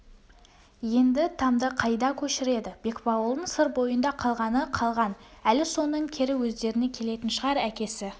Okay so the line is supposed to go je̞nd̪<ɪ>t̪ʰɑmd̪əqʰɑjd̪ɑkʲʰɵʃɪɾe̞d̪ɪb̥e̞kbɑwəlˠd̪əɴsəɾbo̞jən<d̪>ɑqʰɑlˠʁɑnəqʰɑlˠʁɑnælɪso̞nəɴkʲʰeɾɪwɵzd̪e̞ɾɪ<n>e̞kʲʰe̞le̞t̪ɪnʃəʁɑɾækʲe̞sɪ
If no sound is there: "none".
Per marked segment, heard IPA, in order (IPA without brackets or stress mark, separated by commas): ɪ, d̪, n